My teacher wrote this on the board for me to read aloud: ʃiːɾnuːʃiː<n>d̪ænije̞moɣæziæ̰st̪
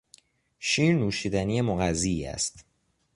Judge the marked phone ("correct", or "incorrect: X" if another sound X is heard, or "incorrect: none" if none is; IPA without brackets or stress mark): incorrect: none